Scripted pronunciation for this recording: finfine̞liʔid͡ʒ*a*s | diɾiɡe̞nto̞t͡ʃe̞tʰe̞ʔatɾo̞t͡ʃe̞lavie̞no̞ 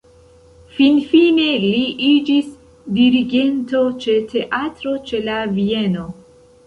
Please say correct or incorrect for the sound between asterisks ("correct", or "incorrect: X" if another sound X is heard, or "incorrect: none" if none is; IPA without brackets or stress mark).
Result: incorrect: i